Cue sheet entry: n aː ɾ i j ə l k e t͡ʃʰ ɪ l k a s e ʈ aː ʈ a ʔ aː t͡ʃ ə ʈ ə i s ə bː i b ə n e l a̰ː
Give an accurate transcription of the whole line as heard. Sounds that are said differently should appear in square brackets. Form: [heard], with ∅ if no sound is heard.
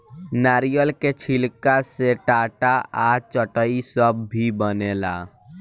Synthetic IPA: n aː ɾ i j ə l k e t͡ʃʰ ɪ l k a s e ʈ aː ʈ a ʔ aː t͡ʃ ə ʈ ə i s ə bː i b ə n e l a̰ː